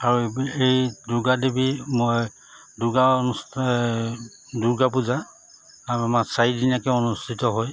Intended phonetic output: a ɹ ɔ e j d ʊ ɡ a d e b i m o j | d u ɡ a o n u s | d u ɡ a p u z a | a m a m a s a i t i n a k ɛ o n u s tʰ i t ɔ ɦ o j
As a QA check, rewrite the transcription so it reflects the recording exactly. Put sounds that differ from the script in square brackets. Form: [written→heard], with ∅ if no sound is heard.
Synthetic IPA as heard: a ɹ [ɔ→u] e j d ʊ ɡ a d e b i m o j | d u ɡ a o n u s | d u ɡ a p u z a | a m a m a s a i [t→d] i n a k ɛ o n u s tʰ i t ɔ ɦ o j

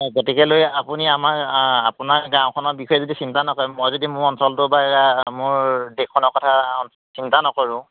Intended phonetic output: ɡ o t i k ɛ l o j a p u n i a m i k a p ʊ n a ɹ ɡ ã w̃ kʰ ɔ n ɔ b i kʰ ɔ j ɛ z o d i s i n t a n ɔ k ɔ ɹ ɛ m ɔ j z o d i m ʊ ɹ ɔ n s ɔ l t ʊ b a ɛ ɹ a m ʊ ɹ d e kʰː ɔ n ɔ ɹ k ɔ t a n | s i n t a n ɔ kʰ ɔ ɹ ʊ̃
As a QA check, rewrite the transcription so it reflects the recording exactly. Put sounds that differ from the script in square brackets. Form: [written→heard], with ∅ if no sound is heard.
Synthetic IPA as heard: ɡ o t i k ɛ l o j a p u n i a m [i→a] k a p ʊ n a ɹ ɡ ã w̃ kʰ ɔ n ɔ b i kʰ ɔ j ɛ z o d i s i n t a n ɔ k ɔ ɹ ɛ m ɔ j z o d i m ʊ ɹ ɔ n s ɔ l t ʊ b a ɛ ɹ a m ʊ ɹ d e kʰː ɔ n ɔ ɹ k ɔ [t→tʰ] a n | s i n t a n ɔ [kʰ→k] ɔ ɹ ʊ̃

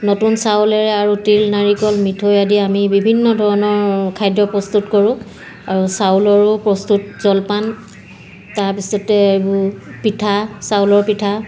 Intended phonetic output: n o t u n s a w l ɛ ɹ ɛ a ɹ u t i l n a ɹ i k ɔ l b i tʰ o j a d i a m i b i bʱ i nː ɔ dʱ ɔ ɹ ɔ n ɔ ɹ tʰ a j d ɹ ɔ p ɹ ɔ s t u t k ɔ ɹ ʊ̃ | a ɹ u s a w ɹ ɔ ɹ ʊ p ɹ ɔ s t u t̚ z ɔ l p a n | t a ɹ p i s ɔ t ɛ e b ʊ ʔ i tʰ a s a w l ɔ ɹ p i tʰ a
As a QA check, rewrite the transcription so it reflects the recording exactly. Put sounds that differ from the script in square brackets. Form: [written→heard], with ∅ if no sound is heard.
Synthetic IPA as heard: n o t u n s a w l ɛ ɹ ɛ a ɹ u t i l n a ɹ i k ɔ l [b→m] i tʰ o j a d i a m i b i bʱ i nː ɔ dʱ ɔ ɹ ɔ n ɔ ɹ [tʰ→kʰ] a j d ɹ ɔ p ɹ ɔ s t u t k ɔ ɹ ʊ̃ | a ɹ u s a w [ɹ→l] ɔ ɹ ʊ p ɹ ɔ s t u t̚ z ɔ l p a n | t a ɹ p i s ɔ t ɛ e b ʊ [ʔ→p] i tʰ a s a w l ɔ ɹ p i tʰ a

